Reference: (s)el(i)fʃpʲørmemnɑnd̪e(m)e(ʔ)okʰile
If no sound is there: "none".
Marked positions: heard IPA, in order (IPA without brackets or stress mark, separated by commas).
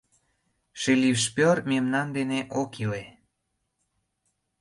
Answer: ʃ, i, n, ʔ